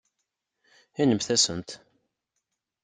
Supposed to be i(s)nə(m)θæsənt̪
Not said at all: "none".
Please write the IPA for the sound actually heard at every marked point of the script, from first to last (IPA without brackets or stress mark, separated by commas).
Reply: none, m